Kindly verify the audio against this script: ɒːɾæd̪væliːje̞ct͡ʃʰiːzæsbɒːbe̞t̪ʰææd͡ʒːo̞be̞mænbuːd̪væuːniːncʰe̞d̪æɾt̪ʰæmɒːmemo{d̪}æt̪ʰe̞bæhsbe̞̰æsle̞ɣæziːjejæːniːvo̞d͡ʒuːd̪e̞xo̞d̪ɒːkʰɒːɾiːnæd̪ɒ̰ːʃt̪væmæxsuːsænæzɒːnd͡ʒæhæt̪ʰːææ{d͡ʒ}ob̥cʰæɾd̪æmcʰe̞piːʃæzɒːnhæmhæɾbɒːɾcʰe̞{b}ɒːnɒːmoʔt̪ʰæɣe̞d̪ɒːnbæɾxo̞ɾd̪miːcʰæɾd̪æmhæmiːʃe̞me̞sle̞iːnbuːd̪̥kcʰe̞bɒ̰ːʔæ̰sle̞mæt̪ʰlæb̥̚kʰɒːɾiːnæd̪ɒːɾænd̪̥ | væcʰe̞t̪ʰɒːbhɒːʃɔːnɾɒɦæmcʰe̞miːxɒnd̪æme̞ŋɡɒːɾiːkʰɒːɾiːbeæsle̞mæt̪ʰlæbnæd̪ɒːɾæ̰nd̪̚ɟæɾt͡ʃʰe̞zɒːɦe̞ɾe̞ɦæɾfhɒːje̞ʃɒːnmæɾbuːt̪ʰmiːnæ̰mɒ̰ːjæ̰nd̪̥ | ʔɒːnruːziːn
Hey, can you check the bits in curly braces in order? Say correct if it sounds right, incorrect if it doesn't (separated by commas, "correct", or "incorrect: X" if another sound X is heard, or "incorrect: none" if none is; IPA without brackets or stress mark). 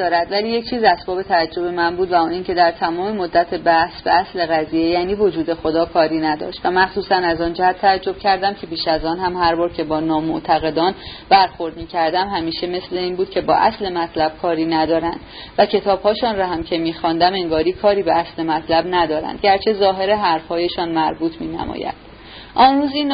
incorrect: d̪ː, incorrect: d͡ʒː, correct